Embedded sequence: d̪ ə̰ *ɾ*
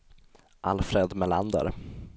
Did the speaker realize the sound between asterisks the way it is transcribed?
yes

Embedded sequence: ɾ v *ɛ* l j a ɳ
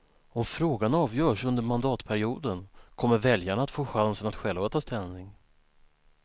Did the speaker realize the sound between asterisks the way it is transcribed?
yes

